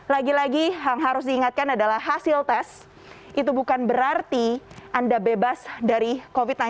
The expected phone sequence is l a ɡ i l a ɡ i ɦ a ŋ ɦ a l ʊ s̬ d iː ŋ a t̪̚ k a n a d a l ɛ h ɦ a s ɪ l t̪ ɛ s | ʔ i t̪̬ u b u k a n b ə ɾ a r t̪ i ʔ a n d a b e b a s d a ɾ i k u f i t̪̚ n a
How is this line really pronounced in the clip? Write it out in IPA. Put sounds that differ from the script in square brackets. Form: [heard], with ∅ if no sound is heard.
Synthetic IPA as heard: l a ɡ i l a ɡ i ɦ a ŋ ɦ a [ɾ] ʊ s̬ d iː ŋ a t̪̚ k a n a d a l [a] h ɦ a s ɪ l t̪ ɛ s | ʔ i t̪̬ u b u k a n b ə ɾ a r t̪ i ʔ a n d a b e b a s d a ɾ i k [o] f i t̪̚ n a